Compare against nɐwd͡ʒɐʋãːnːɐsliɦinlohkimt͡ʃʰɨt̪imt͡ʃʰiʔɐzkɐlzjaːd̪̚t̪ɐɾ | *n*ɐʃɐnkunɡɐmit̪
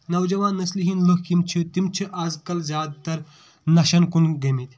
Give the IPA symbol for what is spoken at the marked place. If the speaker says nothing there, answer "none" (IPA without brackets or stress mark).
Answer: n